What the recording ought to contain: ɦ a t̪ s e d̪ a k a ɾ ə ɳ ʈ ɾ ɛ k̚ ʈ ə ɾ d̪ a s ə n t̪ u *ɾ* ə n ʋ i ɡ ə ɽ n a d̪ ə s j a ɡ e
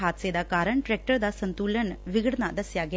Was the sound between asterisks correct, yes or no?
no